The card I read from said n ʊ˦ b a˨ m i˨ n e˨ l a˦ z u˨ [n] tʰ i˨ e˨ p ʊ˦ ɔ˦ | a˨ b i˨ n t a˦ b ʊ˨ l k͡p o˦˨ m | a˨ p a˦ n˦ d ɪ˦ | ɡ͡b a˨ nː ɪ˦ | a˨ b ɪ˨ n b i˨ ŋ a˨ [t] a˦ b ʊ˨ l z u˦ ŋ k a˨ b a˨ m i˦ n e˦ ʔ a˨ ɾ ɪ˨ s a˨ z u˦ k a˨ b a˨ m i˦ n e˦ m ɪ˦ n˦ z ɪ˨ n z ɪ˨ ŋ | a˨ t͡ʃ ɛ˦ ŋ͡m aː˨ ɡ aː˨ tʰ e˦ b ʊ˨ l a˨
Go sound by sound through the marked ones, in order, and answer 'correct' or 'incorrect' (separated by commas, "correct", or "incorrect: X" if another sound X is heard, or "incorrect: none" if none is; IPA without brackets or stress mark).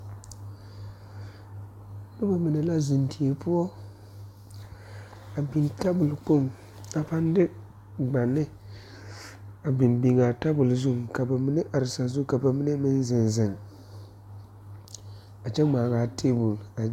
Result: correct, correct